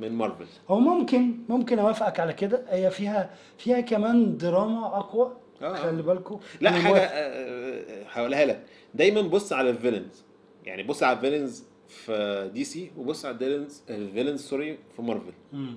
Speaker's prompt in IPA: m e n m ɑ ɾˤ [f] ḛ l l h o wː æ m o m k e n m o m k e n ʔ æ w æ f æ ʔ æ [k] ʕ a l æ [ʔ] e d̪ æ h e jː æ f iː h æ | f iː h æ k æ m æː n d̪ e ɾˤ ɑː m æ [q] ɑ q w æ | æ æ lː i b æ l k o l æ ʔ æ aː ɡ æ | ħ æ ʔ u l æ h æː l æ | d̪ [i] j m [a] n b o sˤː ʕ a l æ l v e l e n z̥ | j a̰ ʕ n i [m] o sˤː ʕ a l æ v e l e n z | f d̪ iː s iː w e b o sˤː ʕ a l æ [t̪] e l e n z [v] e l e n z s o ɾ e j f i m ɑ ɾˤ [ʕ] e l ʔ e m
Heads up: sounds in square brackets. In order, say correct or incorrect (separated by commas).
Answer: incorrect, correct, incorrect, incorrect, incorrect, incorrect, incorrect, incorrect, correct, incorrect